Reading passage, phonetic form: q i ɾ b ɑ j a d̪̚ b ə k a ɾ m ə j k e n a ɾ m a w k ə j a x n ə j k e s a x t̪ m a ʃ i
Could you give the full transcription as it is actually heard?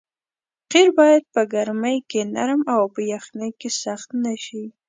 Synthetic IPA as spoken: q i ɾ b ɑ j a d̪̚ p ə ɡ a ɾ m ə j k e n a ɾ m a w p ə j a x n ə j k e s a x t̪ n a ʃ i